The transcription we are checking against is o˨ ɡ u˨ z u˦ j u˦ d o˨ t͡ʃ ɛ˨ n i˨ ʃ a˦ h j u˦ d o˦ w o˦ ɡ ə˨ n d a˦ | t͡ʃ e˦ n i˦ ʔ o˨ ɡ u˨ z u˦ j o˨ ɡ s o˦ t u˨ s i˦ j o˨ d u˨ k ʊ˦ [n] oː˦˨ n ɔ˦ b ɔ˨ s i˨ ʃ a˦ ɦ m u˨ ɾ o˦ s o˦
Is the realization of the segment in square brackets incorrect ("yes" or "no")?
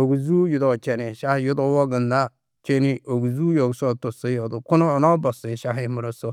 no